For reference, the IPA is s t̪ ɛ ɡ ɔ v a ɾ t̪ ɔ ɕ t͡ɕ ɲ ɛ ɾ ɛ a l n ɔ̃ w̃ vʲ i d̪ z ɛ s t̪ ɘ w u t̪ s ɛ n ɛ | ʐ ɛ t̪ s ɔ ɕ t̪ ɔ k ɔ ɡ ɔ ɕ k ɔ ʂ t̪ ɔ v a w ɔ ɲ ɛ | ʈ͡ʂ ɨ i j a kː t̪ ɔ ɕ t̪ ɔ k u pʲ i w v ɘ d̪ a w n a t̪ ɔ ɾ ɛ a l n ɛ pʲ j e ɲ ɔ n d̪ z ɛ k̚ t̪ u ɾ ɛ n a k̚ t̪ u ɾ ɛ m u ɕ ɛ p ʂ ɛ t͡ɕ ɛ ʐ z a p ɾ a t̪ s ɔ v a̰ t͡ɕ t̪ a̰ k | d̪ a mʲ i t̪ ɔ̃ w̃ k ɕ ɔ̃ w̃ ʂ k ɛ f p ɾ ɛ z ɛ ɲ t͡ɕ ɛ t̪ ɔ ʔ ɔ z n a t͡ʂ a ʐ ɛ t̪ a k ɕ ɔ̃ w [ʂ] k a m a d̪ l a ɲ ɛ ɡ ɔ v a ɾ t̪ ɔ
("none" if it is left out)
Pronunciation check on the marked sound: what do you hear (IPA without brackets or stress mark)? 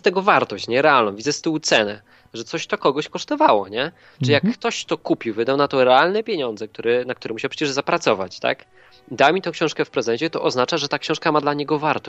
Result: ʂ